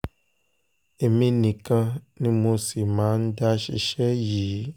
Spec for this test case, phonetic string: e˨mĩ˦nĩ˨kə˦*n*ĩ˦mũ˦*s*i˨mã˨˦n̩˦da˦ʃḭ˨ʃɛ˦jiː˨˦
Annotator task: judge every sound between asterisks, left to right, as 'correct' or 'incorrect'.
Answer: correct, correct

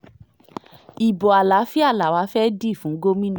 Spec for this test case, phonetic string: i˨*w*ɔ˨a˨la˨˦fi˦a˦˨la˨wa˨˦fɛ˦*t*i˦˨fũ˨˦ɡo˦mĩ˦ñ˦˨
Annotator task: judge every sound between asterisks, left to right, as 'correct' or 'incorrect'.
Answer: incorrect: b, incorrect: d

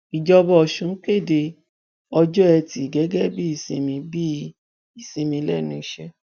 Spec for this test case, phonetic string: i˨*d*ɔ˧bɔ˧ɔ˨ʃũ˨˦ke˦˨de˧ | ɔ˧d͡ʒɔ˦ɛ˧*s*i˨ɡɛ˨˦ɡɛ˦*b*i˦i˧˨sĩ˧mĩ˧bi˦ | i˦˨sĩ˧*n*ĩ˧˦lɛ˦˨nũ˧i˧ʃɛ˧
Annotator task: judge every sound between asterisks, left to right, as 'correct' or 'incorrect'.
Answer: incorrect: d͡ʒ, incorrect: t, correct, incorrect: m

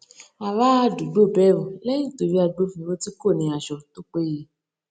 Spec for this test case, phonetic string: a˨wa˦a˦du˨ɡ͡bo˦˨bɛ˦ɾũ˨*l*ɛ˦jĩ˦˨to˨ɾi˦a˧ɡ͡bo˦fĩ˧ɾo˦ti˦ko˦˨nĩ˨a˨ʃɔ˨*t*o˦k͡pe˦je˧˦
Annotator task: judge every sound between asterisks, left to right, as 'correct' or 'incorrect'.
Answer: correct, correct

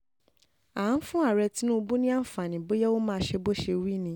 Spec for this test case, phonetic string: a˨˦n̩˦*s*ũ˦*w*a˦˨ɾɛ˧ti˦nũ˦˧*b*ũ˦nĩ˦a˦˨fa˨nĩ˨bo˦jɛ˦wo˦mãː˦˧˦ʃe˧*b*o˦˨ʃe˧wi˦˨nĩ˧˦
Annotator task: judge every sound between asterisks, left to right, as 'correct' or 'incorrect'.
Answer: incorrect: f, incorrect: none, correct, correct

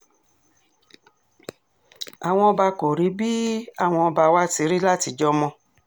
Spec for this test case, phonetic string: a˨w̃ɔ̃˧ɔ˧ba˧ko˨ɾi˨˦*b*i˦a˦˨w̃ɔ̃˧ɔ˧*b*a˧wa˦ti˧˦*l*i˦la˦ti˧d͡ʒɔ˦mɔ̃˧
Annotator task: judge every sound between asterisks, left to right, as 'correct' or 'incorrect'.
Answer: correct, correct, incorrect: ɾ

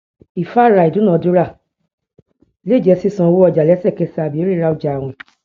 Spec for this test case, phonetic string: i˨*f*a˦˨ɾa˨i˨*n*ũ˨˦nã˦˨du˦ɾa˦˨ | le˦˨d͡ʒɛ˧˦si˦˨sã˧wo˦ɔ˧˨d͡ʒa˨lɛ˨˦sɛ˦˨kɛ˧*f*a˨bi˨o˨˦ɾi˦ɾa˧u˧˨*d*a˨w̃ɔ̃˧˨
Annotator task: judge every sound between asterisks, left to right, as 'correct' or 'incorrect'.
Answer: correct, incorrect: d, incorrect: s, incorrect: d͡ʒ

